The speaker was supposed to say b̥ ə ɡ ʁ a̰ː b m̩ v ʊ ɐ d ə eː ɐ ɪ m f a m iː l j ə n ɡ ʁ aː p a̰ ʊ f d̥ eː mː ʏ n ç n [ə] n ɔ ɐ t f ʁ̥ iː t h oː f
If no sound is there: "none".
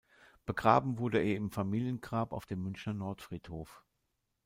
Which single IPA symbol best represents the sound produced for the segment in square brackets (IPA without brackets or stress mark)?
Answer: ɐ